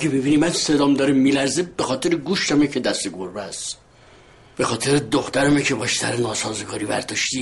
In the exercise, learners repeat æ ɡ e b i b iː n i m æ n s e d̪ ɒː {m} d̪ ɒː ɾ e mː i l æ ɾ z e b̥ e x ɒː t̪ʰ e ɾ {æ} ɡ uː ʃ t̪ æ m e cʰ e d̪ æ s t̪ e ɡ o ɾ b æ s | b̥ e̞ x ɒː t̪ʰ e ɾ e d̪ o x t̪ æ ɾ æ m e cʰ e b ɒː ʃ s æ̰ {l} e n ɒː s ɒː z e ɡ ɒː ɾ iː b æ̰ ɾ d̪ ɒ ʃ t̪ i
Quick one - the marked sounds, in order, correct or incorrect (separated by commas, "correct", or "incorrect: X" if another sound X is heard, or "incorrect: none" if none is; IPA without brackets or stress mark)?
correct, incorrect: e, incorrect: ɾ